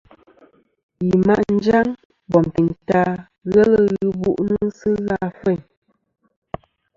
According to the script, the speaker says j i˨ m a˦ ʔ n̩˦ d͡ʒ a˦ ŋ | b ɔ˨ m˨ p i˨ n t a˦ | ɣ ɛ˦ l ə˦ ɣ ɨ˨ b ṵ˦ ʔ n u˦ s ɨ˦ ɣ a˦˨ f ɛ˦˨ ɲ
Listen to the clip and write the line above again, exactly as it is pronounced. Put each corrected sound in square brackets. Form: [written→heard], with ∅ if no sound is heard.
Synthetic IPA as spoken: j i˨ m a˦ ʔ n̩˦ d͡ʒ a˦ ŋ | b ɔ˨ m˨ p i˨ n t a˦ | ɣ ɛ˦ l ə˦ ɣ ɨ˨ b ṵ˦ ʔ n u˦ s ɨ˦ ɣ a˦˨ f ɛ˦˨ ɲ